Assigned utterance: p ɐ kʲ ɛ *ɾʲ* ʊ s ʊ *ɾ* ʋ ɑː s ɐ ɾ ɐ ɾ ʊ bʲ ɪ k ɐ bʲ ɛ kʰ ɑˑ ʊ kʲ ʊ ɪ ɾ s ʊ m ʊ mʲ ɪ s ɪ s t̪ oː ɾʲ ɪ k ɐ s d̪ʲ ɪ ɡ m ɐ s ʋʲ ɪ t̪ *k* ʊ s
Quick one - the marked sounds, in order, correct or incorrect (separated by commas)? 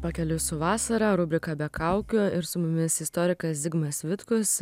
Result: incorrect, incorrect, correct